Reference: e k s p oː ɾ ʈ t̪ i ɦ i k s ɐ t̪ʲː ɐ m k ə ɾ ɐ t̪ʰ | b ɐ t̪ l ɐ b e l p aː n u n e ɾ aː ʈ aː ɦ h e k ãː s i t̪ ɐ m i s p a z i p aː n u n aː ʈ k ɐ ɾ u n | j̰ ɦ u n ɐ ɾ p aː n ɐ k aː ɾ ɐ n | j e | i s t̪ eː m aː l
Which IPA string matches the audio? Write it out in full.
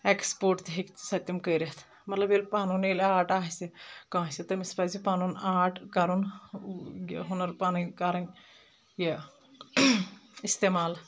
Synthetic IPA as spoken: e k s p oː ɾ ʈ t̪ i ɦ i k s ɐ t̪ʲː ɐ m k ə ɾ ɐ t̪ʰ | m ɐ t̪ l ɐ b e l p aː n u n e l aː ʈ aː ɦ s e k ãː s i t̪ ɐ m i s p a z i p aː n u n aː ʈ k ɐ ɾ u n | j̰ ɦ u n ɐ ɾ p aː n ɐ k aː ɾ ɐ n | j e | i s t̪ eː m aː l